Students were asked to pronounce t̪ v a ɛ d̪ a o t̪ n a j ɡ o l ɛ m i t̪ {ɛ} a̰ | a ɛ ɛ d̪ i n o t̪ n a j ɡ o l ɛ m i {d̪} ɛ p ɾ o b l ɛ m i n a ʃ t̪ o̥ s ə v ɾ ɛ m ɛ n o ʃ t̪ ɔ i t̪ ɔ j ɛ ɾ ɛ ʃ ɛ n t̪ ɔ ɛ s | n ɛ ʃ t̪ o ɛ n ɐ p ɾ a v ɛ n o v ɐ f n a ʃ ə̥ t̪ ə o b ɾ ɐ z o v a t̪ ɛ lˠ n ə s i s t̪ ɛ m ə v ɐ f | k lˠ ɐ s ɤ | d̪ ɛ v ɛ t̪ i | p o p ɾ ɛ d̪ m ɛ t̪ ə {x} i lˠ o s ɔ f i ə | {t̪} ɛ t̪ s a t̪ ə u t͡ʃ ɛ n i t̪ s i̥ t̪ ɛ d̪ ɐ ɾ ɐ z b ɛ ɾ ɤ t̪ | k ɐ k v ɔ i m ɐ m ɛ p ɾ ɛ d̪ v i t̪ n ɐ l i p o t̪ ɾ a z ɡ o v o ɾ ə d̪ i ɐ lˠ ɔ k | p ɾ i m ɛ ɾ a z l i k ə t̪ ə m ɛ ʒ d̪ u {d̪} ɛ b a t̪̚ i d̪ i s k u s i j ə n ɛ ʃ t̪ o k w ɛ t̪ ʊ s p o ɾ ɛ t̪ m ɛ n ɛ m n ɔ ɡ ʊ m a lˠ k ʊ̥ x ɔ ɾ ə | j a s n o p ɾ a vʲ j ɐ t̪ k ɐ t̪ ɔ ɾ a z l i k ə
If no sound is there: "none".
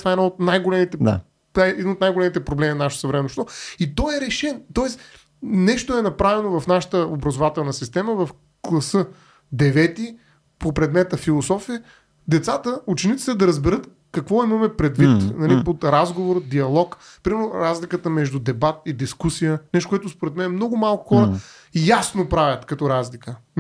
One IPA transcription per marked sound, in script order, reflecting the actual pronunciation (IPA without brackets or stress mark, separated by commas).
ɛ, t̪, f, d̪, d̪